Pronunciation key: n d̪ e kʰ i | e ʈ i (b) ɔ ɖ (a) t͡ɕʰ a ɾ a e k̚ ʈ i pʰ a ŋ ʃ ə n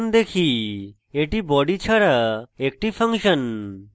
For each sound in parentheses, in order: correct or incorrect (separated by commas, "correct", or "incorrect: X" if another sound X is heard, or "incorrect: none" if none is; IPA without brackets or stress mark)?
correct, incorrect: i